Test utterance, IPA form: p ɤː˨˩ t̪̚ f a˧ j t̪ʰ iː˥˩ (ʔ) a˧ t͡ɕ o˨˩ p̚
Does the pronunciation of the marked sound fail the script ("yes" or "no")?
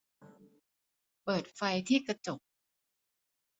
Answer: yes